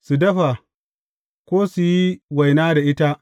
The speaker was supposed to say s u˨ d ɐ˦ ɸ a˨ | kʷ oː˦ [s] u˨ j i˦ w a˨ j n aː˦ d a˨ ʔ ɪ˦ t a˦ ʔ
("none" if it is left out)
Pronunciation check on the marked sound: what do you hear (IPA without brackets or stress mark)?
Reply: s